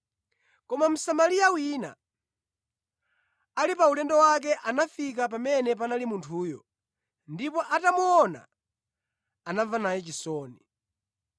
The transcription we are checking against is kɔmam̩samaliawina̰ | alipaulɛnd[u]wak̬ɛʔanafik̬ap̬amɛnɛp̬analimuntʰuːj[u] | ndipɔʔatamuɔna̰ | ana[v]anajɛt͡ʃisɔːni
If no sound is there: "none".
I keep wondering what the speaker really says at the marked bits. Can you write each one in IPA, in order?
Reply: ɔ, ɔ, v

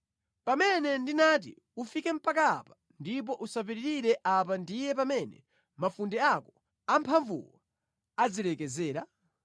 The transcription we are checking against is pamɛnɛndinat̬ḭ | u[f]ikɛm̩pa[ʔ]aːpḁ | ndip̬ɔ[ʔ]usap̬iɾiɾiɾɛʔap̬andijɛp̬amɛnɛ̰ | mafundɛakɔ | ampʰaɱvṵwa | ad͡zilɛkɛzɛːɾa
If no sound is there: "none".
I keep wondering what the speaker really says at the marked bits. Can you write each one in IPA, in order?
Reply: f, k, ʔ

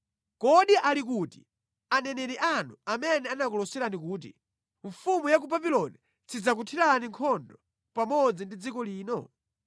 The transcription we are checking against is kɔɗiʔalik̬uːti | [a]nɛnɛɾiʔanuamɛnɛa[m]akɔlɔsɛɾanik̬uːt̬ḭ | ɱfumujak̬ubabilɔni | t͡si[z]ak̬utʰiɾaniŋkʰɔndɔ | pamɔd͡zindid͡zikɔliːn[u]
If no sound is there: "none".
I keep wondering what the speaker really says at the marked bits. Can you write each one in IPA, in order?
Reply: a, n, d͡z, ɔ

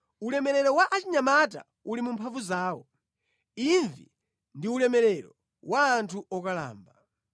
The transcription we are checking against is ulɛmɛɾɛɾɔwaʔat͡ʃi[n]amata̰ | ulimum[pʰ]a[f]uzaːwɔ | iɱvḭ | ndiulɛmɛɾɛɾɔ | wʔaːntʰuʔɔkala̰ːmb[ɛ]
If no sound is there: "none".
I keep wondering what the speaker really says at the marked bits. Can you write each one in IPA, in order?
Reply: ɲ, pʰ, v, a

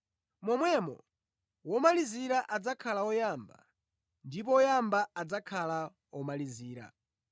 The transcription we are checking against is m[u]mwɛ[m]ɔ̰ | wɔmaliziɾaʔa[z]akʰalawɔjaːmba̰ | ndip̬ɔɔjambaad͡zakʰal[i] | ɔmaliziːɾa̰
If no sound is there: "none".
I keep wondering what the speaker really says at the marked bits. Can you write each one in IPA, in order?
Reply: ɔ, m, d͡z, a

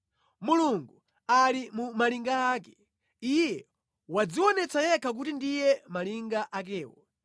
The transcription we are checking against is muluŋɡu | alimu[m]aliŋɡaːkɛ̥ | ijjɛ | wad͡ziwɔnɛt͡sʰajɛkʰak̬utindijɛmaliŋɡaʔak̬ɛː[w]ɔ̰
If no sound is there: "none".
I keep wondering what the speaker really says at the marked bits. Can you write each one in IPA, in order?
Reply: m, w

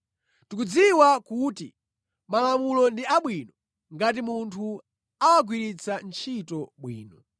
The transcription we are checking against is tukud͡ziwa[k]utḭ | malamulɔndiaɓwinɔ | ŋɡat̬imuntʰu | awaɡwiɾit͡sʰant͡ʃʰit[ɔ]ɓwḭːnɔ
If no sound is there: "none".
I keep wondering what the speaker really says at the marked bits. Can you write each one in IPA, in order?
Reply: k, ɔ

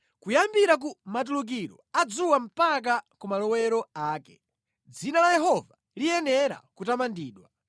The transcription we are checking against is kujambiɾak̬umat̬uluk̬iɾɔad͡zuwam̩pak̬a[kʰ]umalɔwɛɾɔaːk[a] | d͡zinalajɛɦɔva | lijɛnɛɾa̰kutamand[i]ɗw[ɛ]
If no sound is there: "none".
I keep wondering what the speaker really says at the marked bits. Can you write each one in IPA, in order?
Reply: k, ɛ, iː, a

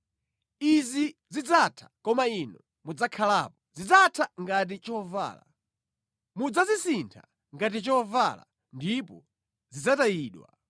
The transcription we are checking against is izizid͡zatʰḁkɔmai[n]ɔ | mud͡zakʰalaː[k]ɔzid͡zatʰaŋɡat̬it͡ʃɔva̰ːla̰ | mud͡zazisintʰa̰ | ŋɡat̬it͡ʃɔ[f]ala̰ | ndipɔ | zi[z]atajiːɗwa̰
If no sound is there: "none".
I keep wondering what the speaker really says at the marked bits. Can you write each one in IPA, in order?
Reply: n, p, v, d͡z

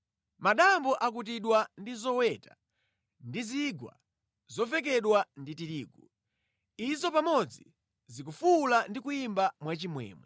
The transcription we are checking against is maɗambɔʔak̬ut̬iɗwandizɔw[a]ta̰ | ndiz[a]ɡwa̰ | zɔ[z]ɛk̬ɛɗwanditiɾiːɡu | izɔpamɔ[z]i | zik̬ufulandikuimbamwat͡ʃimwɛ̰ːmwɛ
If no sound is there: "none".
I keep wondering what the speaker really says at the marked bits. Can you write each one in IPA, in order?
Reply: ɛ, i, v, d͡z

